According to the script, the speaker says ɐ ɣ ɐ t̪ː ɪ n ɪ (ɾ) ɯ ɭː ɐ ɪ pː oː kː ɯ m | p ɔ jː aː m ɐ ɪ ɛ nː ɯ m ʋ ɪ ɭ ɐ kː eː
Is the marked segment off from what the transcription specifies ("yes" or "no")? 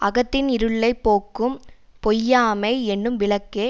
no